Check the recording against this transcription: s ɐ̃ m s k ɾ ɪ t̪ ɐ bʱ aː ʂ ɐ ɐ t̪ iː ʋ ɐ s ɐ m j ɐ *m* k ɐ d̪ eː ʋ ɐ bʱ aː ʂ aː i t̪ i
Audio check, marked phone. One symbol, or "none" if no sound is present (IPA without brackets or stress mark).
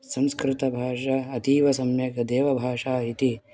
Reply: none